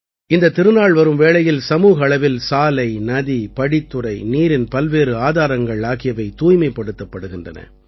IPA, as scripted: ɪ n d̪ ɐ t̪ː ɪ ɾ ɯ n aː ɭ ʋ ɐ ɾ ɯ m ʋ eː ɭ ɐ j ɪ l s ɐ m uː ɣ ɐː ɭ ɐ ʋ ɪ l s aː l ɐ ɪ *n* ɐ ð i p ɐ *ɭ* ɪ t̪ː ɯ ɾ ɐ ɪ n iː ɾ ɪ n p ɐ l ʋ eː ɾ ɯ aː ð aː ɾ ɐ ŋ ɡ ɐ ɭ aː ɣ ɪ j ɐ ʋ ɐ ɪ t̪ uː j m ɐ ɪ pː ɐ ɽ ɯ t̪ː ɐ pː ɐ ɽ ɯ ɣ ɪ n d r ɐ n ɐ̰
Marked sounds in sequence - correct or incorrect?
correct, incorrect: ɽ

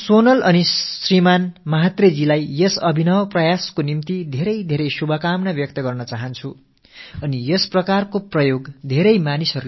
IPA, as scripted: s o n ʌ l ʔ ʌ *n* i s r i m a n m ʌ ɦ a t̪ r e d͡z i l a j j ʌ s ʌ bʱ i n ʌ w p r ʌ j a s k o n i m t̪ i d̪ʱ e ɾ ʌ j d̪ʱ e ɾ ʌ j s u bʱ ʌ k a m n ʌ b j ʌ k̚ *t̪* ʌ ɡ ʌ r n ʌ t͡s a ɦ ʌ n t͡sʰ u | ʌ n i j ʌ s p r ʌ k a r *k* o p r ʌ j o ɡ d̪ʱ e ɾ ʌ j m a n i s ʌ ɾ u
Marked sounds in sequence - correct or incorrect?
correct, correct, correct

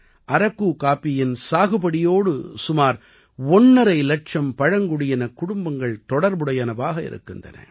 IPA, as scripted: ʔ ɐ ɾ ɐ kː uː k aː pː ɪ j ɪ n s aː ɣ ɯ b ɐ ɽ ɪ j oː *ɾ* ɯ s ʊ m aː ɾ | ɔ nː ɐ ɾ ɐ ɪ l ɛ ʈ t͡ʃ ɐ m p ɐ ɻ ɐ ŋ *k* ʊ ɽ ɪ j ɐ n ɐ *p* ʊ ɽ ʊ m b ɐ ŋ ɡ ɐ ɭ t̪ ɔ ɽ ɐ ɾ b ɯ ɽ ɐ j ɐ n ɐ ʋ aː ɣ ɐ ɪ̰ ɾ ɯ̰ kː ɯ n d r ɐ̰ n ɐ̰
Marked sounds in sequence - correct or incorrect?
incorrect: ɽ, incorrect: ɡ, incorrect: k

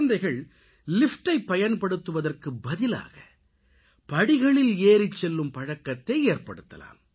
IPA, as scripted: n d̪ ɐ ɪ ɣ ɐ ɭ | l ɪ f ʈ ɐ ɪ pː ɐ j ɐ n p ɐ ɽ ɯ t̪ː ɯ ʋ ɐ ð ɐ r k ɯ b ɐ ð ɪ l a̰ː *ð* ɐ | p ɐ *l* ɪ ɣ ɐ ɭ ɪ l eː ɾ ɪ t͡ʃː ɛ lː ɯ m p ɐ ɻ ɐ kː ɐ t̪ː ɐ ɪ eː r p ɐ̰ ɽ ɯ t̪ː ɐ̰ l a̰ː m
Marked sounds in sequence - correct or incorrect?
incorrect: ɣ, incorrect: ɽ

